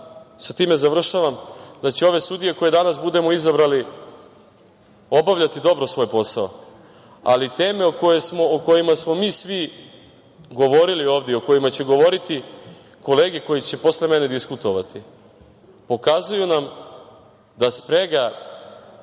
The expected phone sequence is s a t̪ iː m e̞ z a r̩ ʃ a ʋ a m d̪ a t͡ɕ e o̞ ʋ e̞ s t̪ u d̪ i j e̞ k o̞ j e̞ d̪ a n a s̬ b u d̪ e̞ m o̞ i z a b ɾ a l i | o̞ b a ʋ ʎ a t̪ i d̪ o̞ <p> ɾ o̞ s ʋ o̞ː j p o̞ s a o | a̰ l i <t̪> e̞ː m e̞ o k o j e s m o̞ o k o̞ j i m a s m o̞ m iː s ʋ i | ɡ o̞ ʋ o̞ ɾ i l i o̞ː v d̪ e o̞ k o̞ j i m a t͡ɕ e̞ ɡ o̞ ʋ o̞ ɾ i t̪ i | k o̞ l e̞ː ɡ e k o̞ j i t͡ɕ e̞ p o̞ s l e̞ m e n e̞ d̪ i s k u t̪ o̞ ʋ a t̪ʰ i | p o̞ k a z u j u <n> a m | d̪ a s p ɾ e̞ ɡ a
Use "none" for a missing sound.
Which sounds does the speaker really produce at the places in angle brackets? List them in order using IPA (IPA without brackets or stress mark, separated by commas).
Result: b, t̪, n